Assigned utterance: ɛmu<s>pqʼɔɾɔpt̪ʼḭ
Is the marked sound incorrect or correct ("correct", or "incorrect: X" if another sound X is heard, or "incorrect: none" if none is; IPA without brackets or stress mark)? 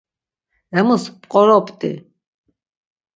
correct